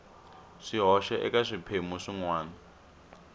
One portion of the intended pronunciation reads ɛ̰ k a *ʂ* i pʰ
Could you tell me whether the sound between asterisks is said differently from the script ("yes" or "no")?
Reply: no